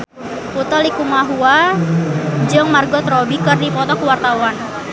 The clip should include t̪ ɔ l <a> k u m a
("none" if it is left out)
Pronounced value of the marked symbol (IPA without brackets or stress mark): i